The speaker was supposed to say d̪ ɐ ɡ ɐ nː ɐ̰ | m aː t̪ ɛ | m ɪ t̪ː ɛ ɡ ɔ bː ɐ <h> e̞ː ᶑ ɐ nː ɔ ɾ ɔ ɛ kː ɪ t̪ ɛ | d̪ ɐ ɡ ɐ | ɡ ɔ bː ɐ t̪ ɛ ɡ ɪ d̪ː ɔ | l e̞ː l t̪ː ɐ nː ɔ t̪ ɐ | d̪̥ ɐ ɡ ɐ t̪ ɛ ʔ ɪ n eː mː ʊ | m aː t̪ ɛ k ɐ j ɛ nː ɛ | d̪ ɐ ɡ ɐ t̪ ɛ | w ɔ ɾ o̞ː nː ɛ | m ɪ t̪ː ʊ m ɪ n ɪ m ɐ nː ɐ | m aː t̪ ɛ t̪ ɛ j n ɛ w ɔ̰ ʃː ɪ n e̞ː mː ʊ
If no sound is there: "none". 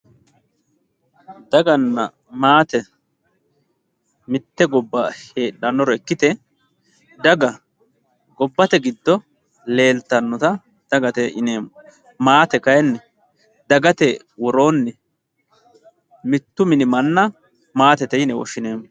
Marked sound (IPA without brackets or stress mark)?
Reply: h